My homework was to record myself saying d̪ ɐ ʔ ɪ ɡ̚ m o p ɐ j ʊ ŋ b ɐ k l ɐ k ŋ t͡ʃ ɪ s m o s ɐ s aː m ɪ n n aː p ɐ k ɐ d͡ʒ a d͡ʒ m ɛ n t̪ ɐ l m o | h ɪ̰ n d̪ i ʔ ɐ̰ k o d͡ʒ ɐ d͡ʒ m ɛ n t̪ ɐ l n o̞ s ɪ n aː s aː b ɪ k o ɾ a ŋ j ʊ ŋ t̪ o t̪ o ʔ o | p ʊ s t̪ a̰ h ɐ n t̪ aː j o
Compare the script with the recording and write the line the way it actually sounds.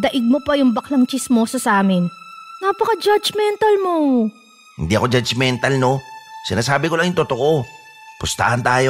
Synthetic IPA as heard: d̪ ɐ ʔ ɪ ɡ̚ m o p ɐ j ʊ ŋ b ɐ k l ɐ ŋ t͡ʃ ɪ s m o s ɐ s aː m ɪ n n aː p ɐ k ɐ d͡ʒ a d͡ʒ m ɛ n t̪ ɐ l m o | h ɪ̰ n d̪ i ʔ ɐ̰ k o d͡ʒ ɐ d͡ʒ m ɛ n t̪ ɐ l n o̞ s ɪ n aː s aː b ɪ k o l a ŋ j ʊ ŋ t̪ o t̪ o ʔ o | p ʊ s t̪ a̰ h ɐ n t̪ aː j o